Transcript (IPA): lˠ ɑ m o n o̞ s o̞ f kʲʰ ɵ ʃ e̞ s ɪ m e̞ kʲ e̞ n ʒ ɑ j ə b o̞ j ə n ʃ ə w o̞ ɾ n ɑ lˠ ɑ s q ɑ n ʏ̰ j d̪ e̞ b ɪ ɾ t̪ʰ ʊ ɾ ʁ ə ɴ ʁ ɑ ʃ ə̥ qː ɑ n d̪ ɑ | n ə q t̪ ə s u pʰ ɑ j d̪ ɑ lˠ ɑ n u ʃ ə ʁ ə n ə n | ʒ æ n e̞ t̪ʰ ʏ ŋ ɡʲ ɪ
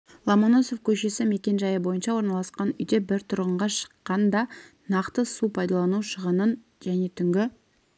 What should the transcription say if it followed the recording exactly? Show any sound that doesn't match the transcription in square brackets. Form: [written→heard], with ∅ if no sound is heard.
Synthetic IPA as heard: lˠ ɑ m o n o̞ s o̞ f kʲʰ ɵ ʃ e̞ s ɪ m e̞ kʲ e̞ n ʒ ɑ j ə b o̞ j ə n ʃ [ə→ɑ] w o̞ ɾ n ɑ lˠ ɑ s q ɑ n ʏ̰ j d̪ e̞ b ɪ ɾ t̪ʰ ʊ ɾ ʁ ə ɴ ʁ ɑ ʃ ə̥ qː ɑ n d̪ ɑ | n [ə→ɑ] q t̪ ə s u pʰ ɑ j d̪ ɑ lˠ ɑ n u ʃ ə ʁ ə n ə n | ʒ æ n e̞ t̪ʰ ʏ ŋ ɡʲ ɪ